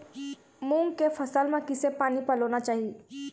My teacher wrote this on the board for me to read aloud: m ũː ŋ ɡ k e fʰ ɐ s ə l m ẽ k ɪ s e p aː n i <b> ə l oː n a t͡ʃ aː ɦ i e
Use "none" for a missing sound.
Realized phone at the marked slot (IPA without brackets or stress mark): p